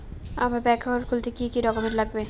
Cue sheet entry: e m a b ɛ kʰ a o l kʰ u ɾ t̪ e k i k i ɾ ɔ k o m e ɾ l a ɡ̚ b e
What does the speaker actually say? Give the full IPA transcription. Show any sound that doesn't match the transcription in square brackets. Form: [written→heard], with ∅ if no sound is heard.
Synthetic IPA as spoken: [e→a] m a b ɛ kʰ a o [l→ɾ] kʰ u [ɾ→l] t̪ e k i k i ɾ ɔ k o m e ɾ l a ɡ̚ b e